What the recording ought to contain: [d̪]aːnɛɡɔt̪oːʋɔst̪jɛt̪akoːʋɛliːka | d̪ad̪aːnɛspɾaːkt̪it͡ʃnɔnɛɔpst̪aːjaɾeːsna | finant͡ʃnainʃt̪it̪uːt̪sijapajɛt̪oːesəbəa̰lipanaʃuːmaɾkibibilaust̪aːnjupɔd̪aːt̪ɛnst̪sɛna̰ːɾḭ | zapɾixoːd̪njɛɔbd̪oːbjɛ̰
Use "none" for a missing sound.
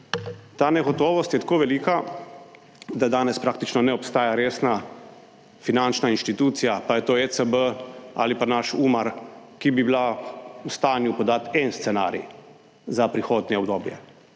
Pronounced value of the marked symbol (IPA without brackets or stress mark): t̪